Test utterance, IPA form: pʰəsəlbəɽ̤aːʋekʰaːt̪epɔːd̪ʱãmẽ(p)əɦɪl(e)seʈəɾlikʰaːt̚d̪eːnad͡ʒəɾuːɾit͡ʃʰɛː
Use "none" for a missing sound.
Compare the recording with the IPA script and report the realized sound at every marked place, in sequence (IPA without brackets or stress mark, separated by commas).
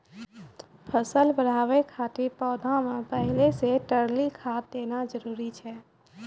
p, e